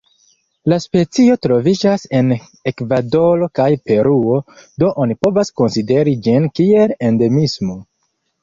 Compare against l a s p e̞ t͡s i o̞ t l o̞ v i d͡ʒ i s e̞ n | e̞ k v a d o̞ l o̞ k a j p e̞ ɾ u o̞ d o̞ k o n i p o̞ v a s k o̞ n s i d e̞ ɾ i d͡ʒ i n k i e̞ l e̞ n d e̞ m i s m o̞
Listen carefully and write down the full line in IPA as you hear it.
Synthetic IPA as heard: l a s p e̞ t͡s i o̞ t ɾ o̞ v i d͡ʒ a s e̞ n | e̞ k v a d o̞ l o̞ k a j p e̞ ɾ u o̞ d o̞ ʔ o n i p o̞ v a s k o̞ n s i d e̞ ɾ i d͡ʒ i n k i e̞ l e̞ n d e̞ m i s m o̞